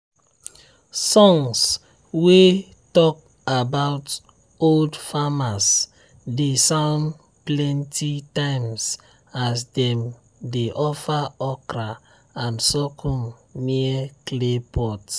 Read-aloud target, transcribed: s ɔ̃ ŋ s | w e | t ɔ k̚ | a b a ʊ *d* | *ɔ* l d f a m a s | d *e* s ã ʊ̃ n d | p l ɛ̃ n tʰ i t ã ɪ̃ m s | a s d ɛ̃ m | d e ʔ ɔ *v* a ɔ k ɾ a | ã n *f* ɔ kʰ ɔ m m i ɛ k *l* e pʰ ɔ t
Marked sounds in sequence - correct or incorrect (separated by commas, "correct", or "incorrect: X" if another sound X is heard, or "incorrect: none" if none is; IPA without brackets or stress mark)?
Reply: incorrect: t, incorrect: o, correct, incorrect: f, incorrect: s, correct